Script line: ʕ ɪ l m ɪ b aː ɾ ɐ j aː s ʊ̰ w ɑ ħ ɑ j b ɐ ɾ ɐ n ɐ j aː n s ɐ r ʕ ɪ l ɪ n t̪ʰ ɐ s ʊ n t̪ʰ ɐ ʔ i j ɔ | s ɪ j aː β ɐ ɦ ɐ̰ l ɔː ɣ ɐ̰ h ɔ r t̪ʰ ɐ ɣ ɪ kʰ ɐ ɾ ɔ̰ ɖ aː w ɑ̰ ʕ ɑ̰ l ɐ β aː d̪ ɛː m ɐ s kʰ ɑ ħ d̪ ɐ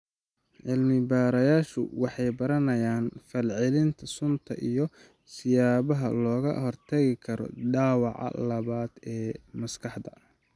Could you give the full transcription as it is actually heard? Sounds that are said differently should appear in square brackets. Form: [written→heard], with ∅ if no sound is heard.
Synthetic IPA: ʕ ɪ l m ɪ b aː ɾ ɐ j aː [s→ʃ] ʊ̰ w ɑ ħ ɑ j b ɐ ɾ ɐ n ɐ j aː n [s→f] ɐ [r→l] ʕ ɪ l ɪ n t̪ʰ ɐ s ʊ n t̪ʰ ɐ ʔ i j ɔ | s ɪ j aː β ɐ ɦ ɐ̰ l ɔː ɣ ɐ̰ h ɔ r t̪ʰ ɐ ɣ ɪ kʰ ɐ ɾ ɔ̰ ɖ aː w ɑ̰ ʕ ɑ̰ l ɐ β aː d̪ ɛː m ɐ s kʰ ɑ ħ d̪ ɐ